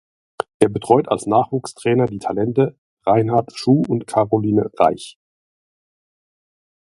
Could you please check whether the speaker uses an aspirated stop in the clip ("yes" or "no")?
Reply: yes